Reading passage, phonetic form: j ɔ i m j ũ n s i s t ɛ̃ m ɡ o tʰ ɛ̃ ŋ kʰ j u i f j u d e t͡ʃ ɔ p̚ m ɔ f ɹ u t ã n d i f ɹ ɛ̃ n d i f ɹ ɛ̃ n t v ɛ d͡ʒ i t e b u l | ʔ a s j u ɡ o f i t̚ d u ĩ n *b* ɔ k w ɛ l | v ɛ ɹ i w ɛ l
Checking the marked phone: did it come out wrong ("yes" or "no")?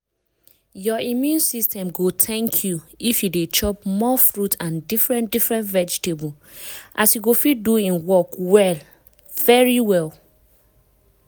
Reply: yes